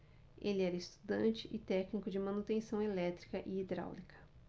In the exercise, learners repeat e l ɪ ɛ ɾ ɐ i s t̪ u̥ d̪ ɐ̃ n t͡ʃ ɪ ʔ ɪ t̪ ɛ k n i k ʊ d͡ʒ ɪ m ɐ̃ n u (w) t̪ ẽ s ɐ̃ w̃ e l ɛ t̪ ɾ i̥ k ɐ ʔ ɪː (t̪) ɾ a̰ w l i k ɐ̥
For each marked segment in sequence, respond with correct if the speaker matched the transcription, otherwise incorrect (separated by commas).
incorrect, incorrect